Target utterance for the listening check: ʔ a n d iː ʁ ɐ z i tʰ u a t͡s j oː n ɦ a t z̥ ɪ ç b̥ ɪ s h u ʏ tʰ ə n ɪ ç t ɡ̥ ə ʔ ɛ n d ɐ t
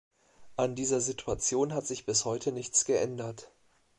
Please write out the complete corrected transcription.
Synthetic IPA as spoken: ʔ a n d iː z ɐ z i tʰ u a t͡s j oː n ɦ a t z̥ ɪ ç b̥ ɪ s h ɔ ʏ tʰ ə n ɪ ç t͡s ɡ̥ ə ʔ ɛ n d ɐ t